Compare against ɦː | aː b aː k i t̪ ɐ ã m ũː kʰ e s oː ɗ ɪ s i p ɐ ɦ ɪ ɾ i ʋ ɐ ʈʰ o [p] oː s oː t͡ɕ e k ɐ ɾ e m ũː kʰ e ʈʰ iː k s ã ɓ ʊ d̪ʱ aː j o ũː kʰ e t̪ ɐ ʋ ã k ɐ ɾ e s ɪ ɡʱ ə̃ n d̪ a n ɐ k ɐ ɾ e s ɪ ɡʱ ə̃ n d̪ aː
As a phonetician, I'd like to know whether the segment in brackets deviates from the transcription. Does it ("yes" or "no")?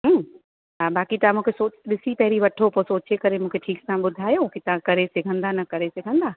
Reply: no